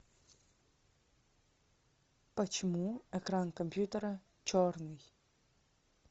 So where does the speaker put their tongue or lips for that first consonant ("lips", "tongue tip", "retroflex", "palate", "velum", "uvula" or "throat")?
lips